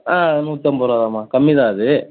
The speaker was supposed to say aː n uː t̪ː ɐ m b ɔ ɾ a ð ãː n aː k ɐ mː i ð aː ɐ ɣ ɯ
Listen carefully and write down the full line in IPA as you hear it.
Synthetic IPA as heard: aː n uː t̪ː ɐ m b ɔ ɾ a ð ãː m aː k ɐ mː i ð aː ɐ ð ɯ